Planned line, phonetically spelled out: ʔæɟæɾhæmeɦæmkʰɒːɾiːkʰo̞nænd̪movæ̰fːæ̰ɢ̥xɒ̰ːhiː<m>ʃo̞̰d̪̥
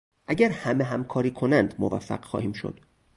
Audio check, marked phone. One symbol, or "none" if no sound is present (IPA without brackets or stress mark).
m